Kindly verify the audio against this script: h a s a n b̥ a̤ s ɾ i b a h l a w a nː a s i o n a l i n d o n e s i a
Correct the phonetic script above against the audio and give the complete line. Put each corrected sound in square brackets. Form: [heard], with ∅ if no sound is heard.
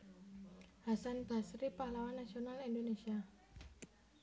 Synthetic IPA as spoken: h a s a n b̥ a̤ s ɾ i [p] a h l a w a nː a s i o n a l i n d o n e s i a